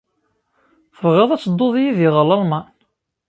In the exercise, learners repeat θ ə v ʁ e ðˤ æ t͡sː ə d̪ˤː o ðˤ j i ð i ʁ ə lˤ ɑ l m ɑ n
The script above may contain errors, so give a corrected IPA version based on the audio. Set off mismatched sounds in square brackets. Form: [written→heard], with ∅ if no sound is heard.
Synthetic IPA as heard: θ ə v ʁ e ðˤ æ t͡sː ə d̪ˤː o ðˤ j i ð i ʁ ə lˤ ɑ l m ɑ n

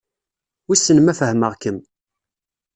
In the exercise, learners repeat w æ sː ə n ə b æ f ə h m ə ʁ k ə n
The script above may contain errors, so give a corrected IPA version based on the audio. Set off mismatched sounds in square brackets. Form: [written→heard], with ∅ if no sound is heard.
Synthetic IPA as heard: w [æ→i] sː ə n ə [b→m] æ f ə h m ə ʁ k ə [n→m]

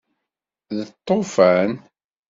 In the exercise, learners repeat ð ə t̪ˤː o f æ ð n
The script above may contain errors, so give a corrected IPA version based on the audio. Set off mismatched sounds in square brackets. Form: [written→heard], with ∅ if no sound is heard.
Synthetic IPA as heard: ð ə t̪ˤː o f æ [ð→∅] n

